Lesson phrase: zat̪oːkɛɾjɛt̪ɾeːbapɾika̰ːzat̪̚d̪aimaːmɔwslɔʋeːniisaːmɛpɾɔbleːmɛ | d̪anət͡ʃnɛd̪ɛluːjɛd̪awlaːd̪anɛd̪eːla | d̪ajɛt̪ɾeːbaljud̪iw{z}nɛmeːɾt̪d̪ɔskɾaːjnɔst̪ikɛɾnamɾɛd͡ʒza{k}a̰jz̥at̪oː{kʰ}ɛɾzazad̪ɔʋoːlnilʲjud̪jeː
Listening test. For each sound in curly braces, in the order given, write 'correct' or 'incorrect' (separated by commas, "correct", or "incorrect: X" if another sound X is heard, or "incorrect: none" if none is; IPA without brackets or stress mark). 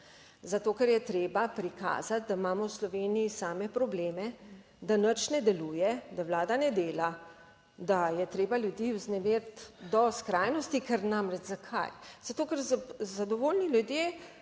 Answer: correct, incorrect: kʰ, incorrect: k